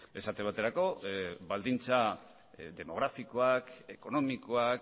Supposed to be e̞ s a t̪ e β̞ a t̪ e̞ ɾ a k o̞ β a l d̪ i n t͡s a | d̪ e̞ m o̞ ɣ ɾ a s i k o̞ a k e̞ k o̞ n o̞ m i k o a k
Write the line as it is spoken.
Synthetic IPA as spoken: e̞ s a t̪ e β̞ a t̪ e̞ ɾ a k o̞ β a l d̪ i n t͡s a | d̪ e̞ m o̞ ɣ ɾ a f i k o̞ a k e̞ k o̞ n o̞ m i k o a k